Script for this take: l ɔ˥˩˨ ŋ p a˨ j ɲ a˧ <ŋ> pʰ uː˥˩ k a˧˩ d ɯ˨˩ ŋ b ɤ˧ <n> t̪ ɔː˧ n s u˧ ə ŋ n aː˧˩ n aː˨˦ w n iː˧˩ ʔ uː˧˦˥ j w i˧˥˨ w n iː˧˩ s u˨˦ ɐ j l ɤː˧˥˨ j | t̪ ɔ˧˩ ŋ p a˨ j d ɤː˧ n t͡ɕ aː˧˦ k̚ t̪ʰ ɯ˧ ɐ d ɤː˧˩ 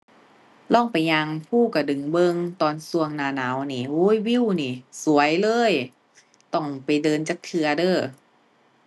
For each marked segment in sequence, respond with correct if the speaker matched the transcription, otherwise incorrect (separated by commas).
correct, incorrect